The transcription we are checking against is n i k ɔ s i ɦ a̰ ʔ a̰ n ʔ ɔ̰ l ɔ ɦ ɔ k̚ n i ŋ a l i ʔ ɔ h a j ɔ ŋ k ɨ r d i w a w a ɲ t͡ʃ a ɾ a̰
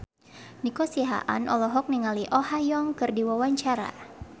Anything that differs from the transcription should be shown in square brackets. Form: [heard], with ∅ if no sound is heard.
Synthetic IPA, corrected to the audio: n i k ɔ s i ɦ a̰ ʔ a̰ n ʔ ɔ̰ l ɔ ɦ ɔ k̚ n i ŋ a l i ʔ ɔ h a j ɔ ŋ k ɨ r d i w a w a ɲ t͡ʃ a ɾ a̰